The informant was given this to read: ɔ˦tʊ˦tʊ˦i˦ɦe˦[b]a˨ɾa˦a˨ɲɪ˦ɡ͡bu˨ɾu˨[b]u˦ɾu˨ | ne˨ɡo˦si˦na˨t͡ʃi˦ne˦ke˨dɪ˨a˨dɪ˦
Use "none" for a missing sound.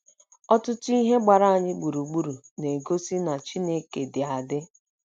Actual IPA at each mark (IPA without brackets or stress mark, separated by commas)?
ɡ͡b, ɡ͡b